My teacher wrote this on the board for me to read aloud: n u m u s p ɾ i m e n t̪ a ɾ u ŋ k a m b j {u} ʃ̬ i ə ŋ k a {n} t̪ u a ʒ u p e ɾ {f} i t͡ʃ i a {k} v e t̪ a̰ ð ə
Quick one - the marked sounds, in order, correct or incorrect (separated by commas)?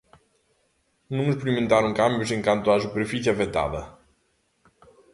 correct, correct, correct, incorrect